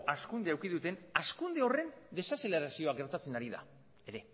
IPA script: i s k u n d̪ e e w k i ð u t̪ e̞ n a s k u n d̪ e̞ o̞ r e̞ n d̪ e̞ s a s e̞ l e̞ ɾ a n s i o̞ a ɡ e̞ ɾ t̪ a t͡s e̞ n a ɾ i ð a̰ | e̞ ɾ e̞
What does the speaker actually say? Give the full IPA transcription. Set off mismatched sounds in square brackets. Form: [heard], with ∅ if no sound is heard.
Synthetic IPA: [a] s k u n d̪ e [a] w k i ð u t̪ e̞ n a s k u n d̪ e̞ o̞ r e̞ n d̪ e̞ s a s e̞ l e̞ ɾ a [∅] s i o̞ a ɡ e̞ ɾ t̪ a t͡s e̞ n a ɾ i ð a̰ | e̞ ɾ e̞